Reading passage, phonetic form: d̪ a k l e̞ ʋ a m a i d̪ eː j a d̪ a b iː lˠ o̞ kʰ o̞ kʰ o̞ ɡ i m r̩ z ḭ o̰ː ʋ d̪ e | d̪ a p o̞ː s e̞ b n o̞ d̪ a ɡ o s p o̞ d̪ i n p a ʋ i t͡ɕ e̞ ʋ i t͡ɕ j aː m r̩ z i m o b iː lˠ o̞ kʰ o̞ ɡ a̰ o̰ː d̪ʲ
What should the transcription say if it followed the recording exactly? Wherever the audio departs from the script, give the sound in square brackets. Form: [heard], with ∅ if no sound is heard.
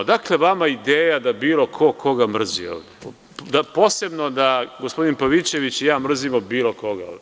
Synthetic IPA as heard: d̪ a k l e̞ ʋ a m a i d̪ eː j a d̪ a b iː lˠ o̞ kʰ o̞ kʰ o̞ ɡ [a] m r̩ z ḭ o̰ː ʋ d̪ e | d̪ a p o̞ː s e̞ b n o̞ d̪ a ɡ o s p o̞ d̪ i n p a ʋ i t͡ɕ e̞ ʋ i t͡ɕ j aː m r̩ z i m o b iː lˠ o̞ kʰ o̞ ɡ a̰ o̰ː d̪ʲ

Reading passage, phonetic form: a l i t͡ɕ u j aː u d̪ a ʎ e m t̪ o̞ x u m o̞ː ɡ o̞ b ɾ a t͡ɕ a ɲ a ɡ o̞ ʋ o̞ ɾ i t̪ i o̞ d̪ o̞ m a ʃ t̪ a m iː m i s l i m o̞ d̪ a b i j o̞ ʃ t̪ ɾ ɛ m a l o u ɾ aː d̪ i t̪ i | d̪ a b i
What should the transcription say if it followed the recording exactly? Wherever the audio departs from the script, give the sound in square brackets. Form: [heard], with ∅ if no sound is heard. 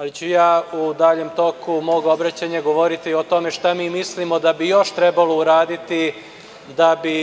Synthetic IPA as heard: a l i t͡ɕ u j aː u d̪ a ʎ e m t̪ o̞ [k] u m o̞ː ɡ o̞ b ɾ a t͡ɕ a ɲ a ɡ o̞ ʋ o̞ ɾ i t̪ i o̞ [t̪] o̞ m [e] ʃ t̪ a m iː m i s l i m o̞ d̪ a b i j o̞ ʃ t̪ ɾ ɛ [b] a l o u ɾ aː d̪ i t̪ i | d̪ a b i

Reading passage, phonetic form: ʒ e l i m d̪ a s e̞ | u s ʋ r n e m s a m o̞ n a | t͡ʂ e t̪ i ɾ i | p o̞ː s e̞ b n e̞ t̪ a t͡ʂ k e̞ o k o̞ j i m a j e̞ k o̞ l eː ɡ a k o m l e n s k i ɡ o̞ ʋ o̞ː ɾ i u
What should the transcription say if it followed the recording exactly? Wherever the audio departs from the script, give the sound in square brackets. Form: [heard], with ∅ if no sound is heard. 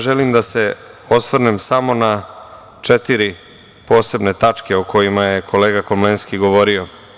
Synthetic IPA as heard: ʒ e l i m d̪ a s e̞ | [o] s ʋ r n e m s a m o̞ n a | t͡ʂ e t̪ i ɾ i | p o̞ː s e̞ b n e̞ t̪ a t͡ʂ k e̞ o k o̞ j i m a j e̞ k o̞ l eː ɡ a k o m l e n s k i ɡ o̞ ʋ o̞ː ɾ i [o]

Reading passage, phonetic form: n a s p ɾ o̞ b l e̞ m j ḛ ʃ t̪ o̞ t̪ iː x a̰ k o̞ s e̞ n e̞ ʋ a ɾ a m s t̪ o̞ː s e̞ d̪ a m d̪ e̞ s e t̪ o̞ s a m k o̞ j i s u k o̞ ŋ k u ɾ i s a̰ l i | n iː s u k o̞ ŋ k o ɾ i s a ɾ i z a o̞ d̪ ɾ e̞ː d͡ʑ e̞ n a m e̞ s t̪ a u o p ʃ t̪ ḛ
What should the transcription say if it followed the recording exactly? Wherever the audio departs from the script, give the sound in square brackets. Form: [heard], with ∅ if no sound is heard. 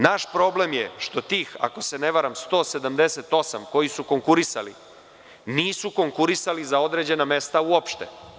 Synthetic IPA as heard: n a [ʃ] p ɾ o̞ b l e̞ m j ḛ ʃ t̪ o̞ t̪ iː x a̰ k o̞ s e̞ n e̞ ʋ a ɾ a m s t̪ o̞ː s e̞ d̪ a m d̪ e̞ s e t̪ o̞ s a m k o̞ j i s u k o̞ ŋ k u ɾ i s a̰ l i | n iː s u k o̞ ŋ k [u] ɾ i s a [l] i z a o̞ d̪ ɾ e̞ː d͡ʑ e̞ n a m e̞ s t̪ a u o p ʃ t̪ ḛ

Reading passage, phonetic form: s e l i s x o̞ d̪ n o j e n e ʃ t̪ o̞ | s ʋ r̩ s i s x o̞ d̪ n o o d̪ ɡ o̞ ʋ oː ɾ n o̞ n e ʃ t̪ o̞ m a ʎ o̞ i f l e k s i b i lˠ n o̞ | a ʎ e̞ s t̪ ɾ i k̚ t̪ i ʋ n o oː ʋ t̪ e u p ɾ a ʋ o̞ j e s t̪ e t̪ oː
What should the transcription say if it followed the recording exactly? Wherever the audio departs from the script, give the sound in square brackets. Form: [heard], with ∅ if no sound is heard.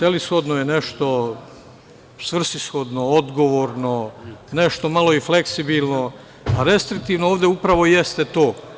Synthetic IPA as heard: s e l i s x o̞ d̪ n o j e n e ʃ t̪ o̞ | s ʋ r̩ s i s x o̞ d̪ n o o d̪ ɡ o̞ ʋ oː ɾ n o̞ n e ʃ t̪ o̞ m a [l] o̞ i f l e k s i b i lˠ n o̞ | a [ɾ] e̞ s t̪ ɾ i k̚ t̪ i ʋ n o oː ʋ [d̪] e u p ɾ a ʋ o̞ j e s t̪ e t̪ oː

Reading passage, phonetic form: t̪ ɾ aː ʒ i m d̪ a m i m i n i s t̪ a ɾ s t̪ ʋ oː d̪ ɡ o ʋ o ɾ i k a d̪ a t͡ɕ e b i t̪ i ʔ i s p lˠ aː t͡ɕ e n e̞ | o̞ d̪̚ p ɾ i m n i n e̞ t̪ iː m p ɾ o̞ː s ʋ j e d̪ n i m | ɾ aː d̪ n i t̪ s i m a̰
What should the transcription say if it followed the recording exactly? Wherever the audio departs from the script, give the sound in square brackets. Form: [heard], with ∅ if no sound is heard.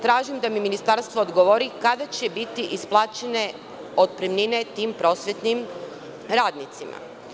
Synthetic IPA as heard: t̪ ɾ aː ʒ i m d̪ a m i m i n i s t̪ a ɾ s t̪ ʋ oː d̪ ɡ o ʋ o ɾ i k a d̪ a t͡ɕ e b i t̪ i ʔ i s p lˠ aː t͡ɕ e n e̞ | o̞ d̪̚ p ɾ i m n i n e̞ t̪ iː m p ɾ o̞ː s ʋ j e [t̪] n i m | ɾ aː d̪ n i t̪ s i m a̰

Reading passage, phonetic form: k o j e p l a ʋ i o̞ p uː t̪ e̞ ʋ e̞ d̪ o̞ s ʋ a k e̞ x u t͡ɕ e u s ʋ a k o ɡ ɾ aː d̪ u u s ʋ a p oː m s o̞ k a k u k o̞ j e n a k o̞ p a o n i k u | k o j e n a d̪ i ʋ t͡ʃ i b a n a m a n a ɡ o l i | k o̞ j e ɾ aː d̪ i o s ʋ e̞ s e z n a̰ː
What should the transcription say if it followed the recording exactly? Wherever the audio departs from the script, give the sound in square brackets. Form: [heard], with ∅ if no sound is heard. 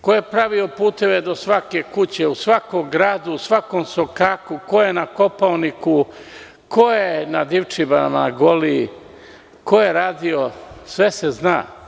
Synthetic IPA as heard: k o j e p [ɾ] a ʋ i o̞ p uː t̪ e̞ ʋ e̞ d̪ o̞ s ʋ a k e̞ [k] u t͡ɕ e u s ʋ a k o ɡ ɾ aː d̪ u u s ʋ a [k] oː m s o̞ k a k u k o̞ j e n a k o̞ p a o n i k u | k o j e n a d̪ i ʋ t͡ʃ i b a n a m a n a ɡ o l i | k o̞ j e ɾ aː d̪ i o s ʋ e̞ s e z n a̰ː

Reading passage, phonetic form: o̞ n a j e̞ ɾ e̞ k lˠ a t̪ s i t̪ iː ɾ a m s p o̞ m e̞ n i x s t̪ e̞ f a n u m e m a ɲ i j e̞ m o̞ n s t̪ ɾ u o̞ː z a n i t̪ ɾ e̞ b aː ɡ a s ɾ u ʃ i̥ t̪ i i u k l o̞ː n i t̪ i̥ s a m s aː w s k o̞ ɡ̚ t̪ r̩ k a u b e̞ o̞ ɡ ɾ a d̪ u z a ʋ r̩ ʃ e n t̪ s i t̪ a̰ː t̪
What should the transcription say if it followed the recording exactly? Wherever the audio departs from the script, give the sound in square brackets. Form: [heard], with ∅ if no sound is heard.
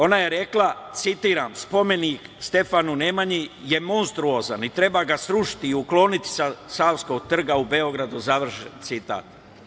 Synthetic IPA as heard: o̞ n a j e̞ ɾ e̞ k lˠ a t̪ s i t̪ iː ɾ a m s p o̞ m e̞ n i [k] s t̪ e̞ f a n u [n] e m a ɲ i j e̞ m o̞ n s t̪ ɾ u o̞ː z a n i t̪ ɾ e̞ b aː ɡ a s ɾ u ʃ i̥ t̪ i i u k l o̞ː n i t̪ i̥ s a [∅] s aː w s k o̞ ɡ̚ t̪ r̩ [ɡ] a u b e̞ o̞ ɡ ɾ a d̪ u z a ʋ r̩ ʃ e n t̪ s i t̪ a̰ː t̪

